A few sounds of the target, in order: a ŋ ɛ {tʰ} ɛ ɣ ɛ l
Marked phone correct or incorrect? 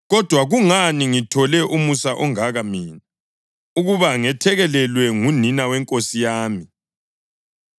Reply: correct